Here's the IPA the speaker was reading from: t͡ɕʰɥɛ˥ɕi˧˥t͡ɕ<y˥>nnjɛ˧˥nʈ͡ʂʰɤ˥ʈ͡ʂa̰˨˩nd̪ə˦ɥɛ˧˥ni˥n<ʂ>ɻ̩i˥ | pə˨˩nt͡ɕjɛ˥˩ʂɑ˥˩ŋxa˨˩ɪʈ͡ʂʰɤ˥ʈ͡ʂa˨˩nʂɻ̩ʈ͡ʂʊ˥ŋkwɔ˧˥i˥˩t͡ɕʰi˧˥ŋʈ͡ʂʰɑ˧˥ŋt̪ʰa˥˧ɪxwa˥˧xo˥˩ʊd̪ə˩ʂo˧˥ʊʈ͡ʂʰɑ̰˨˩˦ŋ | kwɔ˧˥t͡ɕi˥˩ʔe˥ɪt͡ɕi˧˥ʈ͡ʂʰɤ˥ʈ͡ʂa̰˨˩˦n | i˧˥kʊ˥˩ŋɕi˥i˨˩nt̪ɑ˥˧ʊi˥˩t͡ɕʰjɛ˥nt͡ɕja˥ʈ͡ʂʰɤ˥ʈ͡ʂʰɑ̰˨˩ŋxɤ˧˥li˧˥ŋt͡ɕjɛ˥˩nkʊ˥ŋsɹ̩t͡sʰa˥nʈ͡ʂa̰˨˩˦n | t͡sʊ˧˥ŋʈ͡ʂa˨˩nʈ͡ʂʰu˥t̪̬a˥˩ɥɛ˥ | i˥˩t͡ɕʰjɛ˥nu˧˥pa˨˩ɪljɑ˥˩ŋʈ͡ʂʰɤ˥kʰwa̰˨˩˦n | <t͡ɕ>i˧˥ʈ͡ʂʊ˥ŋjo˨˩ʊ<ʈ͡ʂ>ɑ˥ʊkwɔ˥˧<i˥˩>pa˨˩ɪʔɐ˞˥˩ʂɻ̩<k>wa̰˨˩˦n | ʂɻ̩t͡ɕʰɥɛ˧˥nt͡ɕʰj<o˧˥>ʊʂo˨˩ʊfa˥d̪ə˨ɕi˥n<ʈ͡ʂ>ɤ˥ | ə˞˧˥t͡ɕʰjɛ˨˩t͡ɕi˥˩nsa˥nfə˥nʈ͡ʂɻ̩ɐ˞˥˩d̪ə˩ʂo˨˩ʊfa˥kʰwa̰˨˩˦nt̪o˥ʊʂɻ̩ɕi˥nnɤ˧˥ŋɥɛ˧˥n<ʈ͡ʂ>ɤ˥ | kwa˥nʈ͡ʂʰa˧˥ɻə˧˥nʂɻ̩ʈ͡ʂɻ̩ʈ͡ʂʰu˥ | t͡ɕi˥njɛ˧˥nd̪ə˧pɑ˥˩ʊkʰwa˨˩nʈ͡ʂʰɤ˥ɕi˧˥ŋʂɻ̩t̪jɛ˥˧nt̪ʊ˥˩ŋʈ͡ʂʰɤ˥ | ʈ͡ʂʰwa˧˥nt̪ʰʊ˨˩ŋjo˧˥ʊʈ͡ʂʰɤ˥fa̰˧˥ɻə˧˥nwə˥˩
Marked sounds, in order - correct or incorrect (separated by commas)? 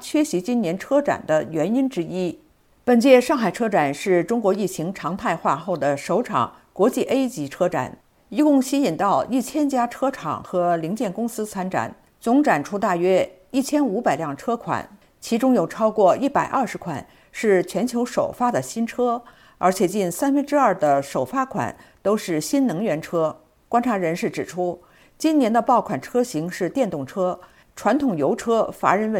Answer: incorrect, incorrect, incorrect, incorrect, correct, incorrect, correct, incorrect, incorrect